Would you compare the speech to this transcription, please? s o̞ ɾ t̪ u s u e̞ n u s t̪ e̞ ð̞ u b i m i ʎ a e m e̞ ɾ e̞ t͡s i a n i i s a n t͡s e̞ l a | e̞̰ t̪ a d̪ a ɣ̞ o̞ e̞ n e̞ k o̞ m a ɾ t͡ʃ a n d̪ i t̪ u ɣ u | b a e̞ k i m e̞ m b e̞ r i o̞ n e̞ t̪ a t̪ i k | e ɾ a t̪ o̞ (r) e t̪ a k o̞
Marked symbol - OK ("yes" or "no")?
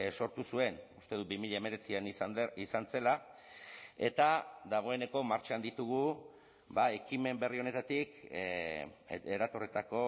yes